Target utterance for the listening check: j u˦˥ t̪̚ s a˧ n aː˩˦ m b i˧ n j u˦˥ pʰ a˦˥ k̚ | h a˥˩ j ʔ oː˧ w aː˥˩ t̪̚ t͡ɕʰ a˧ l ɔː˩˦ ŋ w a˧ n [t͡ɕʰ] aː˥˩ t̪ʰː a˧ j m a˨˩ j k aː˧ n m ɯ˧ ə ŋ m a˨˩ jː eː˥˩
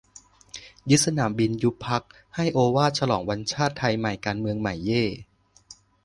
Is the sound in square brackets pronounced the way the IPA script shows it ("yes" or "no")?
yes